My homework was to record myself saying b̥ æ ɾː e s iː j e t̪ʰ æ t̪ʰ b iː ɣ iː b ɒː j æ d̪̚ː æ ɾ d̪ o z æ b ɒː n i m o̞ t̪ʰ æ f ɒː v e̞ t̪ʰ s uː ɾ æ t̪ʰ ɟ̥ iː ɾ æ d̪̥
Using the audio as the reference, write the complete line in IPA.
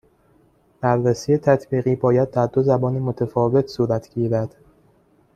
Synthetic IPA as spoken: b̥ æ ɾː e s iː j e t̪ʰ æ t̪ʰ b iː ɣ iː b ɒː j æ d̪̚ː æ ɾ d̪ o z æ b ɒː n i m o̞ t̪ʰ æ f ɒː v e̞ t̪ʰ s uː ɾ æ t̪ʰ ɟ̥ iː ɾ æ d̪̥